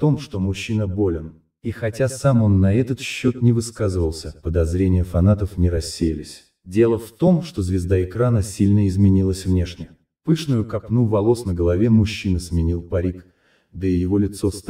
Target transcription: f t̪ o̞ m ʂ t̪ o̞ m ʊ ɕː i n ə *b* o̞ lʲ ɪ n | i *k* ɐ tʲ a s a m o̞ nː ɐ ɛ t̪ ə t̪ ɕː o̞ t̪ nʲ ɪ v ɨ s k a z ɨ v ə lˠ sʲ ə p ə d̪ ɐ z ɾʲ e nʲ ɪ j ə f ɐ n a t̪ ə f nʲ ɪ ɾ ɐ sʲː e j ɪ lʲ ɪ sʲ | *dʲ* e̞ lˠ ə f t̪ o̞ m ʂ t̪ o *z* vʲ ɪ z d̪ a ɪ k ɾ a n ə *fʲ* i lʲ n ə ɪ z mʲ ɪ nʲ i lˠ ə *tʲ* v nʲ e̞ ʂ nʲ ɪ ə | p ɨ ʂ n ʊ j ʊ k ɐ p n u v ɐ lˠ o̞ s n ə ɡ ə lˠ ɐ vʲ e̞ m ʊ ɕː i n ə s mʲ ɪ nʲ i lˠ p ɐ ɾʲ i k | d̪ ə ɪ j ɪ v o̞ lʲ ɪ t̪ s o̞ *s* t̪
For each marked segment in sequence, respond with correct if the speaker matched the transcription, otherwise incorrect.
correct, incorrect: x, correct, correct, incorrect: sʲ, incorrect: sʲ, correct

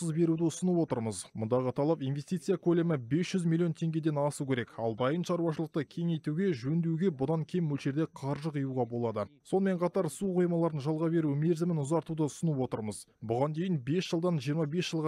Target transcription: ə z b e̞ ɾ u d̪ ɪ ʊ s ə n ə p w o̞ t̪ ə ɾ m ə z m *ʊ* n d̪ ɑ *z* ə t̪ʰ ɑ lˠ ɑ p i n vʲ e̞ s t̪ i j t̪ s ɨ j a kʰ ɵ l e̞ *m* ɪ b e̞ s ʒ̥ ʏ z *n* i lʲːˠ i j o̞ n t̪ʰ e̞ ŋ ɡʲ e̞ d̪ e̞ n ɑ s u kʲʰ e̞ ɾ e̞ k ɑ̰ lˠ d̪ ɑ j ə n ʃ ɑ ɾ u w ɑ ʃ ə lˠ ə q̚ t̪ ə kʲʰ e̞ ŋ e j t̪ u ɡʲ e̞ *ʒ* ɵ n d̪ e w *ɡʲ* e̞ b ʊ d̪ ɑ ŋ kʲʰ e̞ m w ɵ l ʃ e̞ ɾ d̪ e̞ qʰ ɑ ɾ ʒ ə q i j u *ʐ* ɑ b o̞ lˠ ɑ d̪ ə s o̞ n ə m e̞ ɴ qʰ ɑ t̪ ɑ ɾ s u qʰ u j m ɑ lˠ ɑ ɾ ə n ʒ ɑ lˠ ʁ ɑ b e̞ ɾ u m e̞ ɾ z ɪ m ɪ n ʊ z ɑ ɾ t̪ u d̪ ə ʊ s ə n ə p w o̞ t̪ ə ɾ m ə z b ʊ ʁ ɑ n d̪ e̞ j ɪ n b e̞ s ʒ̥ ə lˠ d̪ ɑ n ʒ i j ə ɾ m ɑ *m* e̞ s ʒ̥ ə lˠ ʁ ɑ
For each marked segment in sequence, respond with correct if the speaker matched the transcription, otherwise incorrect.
correct, incorrect: ʁ, correct, incorrect: m, correct, correct, incorrect: ʁ, incorrect: b

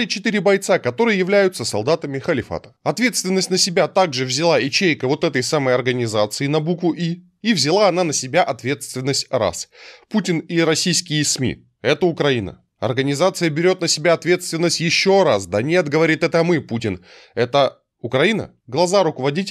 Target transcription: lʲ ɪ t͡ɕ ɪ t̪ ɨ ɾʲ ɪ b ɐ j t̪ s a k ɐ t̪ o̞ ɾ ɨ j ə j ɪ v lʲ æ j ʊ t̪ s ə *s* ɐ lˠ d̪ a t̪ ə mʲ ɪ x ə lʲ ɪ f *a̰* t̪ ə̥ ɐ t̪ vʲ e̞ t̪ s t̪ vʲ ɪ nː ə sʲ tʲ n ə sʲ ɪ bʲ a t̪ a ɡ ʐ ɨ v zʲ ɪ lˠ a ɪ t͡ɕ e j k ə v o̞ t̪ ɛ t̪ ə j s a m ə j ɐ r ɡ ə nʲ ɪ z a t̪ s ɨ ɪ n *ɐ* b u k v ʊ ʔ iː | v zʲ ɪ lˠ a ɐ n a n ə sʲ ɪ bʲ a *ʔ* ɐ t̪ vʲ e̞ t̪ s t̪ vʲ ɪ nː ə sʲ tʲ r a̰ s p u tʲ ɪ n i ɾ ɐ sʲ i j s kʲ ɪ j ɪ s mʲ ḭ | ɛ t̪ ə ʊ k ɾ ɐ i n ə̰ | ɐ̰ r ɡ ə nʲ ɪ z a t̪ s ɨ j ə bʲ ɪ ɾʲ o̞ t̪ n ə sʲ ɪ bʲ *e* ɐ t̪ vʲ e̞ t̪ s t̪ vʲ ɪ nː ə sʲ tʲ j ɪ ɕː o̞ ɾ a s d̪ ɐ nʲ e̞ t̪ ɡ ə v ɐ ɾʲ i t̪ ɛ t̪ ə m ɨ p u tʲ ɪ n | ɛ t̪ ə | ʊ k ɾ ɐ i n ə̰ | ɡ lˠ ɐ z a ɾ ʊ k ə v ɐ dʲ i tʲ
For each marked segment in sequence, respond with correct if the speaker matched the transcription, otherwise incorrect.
correct, correct, correct, correct, incorrect: a

